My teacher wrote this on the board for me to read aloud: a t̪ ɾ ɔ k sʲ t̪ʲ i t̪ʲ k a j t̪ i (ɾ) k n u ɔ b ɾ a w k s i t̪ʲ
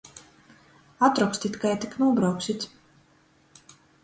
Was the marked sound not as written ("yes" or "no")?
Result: yes